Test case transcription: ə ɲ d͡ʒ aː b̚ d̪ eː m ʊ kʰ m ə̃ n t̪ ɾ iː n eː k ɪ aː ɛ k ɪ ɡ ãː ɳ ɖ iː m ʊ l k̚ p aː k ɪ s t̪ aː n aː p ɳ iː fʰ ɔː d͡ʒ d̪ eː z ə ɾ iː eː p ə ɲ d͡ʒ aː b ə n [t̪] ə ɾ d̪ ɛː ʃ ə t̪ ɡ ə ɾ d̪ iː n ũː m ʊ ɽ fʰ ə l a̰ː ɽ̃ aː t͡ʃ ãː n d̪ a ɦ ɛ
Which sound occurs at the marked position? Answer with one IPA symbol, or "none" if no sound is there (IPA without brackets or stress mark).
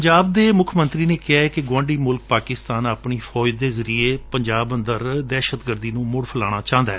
d̪